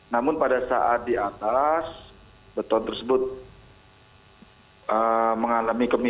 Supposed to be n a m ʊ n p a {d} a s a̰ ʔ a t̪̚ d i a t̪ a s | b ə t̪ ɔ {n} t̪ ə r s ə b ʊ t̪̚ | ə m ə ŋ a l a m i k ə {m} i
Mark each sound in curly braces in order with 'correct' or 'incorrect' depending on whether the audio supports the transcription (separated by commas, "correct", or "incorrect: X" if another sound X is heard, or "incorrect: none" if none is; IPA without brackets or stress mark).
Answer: correct, correct, correct